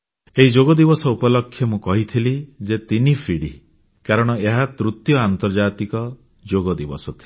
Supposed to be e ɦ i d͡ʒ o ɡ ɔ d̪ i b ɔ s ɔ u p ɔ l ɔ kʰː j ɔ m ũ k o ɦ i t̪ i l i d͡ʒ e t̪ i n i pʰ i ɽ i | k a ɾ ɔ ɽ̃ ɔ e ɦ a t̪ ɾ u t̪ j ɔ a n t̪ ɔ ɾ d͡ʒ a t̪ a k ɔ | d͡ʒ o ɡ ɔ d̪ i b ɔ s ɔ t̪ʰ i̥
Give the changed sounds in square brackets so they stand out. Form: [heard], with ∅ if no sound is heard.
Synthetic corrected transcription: e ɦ i d͡ʒ o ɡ ɔ d̪ i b ɔ s ɔ u p ɔ l ɔ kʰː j ɔ m ũ k [ɔ] ɦ i [t̪ʰ] i l i d͡ʒ e t̪ i n i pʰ i ɽ i | k a ɾ ɔ ɽ̃ ɔ e ɦ a t̪ ɾ u t̪ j ɔ a n t̪ ɔ ɾ d͡ʒ a t̪ [i] k ɔ | d͡ʒ o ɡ ɔ d̪ i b ɔ s ɔ t̪ʰ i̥

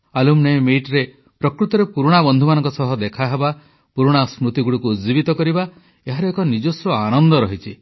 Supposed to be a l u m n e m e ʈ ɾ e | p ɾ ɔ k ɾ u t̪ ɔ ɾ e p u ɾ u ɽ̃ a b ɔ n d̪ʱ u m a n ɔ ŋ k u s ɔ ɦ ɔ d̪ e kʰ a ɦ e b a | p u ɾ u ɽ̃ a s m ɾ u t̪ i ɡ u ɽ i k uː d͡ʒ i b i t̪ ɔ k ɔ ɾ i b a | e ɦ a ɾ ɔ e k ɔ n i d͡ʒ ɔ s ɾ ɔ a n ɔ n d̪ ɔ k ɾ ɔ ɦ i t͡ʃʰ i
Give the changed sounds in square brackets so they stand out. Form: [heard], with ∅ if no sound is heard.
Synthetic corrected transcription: a l u m n e m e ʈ ɾ e | p ɾ ɔ k ɾ u t̪ ɔ ɾ e p u ɾ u ɽ̃ a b ɔ n d̪ʱ u m a n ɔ ŋ k [ɔ] s ɔ ɦ ɔ d̪ e kʰ a ɦ e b a | p u ɾ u ɽ̃ a s m ɾ u t̪ i ɡ u ɽ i k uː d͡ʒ i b i t̪ ɔ k ɔ ɾ i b a | e ɦ a ɾ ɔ e k ɔ n i d͡ʒ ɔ s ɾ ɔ a n ɔ n d̪ ɔ [∅] ɾ ɔ ɦ i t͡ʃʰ i

